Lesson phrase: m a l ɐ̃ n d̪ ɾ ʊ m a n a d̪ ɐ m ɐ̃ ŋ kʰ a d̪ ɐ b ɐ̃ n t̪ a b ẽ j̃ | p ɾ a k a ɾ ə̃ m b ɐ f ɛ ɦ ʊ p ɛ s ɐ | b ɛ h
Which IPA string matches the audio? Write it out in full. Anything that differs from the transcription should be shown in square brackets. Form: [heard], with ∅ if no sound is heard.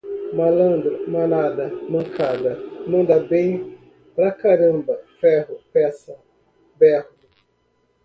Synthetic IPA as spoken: m a l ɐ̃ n d̪ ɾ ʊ m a n a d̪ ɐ m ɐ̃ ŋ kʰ a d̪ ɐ [m] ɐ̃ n [d̪] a b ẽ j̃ | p ɾ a k a ɾ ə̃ m b ɐ f ɛ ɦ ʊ p ɛ s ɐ | b ɛ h